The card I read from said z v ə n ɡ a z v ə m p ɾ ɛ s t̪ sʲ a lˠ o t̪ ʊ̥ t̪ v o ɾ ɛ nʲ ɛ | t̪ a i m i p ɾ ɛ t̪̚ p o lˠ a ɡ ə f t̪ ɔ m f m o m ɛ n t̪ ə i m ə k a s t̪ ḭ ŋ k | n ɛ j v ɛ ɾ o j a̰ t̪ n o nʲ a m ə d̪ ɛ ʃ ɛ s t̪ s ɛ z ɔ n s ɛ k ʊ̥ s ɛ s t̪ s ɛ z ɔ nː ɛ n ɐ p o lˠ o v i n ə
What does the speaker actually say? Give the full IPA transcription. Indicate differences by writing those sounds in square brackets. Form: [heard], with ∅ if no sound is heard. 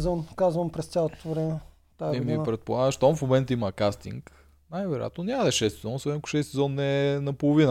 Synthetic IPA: z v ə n [k] a z v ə m p ɾ ɛ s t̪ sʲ a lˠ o t̪ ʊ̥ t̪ v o ɾ ɛ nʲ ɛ | t̪ a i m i p ɾ ɛ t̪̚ p o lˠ a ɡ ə [ʃ] t̪ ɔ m f m o m ɛ n t̪ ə i m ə k a s t̪ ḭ ŋ k | n [a] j v ɛ ɾ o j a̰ t̪ n o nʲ a m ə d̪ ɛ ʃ ɛ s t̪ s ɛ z ɔ n s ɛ k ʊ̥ [ʃ] ɛ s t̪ s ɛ z ɔ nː ɛ n ɐ p o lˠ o v i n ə